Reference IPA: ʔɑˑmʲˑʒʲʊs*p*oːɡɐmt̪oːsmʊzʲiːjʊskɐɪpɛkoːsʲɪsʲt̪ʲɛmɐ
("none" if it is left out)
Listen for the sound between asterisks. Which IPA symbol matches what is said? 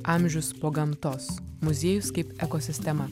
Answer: p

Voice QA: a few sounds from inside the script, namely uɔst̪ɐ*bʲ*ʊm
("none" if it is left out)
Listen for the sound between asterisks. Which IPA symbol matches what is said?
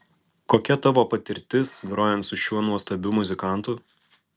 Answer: bʲ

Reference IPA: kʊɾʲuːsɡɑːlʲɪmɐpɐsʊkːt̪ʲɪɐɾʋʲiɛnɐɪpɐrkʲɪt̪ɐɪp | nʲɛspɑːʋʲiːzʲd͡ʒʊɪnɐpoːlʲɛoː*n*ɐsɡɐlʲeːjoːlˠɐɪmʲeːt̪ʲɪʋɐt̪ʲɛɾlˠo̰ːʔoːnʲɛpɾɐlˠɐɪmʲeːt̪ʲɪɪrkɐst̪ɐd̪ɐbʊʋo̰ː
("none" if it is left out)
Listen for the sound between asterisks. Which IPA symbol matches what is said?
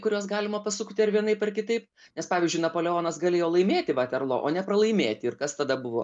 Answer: n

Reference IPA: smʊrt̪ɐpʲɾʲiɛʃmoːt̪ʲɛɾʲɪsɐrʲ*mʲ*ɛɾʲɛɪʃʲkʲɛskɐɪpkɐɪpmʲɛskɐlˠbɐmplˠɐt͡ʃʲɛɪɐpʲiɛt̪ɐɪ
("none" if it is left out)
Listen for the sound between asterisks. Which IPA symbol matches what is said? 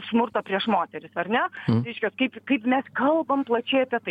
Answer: nʲ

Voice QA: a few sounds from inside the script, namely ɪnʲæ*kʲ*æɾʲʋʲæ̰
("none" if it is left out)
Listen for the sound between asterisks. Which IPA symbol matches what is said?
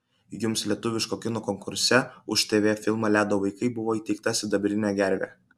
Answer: ɡʲ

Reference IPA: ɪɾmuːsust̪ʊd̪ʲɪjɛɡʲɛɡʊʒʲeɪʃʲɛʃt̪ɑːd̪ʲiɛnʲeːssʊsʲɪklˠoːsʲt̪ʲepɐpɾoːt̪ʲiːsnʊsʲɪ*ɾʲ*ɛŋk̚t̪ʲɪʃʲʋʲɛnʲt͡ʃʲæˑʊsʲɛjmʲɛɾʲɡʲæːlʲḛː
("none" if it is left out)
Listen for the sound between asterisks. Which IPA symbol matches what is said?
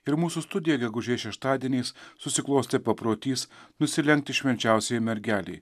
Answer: lʲ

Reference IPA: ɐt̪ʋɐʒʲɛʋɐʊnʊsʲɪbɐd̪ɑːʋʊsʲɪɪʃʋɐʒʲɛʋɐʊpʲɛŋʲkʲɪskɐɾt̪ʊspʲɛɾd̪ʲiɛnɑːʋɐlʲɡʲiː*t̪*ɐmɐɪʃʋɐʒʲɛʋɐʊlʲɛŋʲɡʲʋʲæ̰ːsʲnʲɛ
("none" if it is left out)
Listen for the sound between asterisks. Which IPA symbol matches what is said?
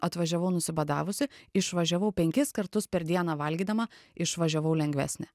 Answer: d̪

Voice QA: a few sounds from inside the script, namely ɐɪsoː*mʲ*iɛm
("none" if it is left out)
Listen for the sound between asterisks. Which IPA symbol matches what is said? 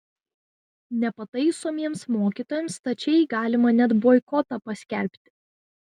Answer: mʲ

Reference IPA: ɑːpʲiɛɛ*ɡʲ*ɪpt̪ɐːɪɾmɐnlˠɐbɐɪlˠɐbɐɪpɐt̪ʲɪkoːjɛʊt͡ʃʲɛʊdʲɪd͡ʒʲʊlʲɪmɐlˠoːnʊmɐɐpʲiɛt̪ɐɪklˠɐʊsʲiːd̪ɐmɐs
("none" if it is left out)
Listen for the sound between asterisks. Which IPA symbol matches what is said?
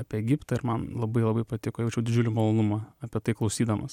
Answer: ɡʲ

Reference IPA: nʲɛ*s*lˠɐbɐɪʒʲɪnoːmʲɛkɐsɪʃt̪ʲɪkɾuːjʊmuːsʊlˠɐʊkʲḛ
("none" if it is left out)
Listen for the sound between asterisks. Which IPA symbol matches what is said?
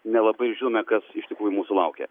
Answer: none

